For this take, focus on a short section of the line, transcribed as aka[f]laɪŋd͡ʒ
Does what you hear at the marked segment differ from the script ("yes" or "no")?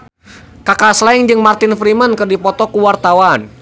yes